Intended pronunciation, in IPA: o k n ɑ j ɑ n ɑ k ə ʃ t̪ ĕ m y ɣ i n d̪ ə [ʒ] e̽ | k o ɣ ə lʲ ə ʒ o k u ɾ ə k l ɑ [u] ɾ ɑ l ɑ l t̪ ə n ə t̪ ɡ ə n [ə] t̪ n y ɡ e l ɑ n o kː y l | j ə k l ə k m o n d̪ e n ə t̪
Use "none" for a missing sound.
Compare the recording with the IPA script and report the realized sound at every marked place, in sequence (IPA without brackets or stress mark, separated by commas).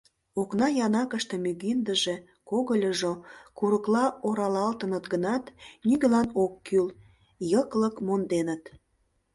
ʒ, o, ɑ